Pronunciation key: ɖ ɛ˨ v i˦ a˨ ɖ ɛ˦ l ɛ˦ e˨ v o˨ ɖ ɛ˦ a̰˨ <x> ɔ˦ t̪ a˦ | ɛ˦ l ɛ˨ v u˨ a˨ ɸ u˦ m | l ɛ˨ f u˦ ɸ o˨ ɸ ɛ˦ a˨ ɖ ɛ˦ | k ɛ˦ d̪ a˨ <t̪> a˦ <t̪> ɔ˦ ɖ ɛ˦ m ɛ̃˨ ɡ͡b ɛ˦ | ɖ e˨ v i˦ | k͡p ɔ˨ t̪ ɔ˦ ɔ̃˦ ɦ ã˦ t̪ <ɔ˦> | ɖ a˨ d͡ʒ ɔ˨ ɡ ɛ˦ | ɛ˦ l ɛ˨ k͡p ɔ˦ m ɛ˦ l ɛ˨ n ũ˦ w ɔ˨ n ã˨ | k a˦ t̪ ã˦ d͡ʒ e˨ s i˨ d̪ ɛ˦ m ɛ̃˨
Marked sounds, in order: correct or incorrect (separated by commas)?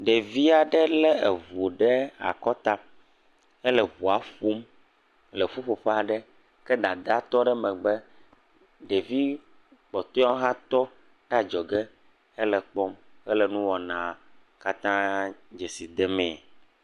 incorrect, incorrect, correct, correct